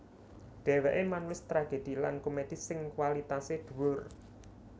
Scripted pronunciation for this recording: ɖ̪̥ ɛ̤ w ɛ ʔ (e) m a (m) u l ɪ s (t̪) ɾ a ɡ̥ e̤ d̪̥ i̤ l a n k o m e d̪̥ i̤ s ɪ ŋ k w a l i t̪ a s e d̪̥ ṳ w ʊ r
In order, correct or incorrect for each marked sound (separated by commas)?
correct, incorrect, correct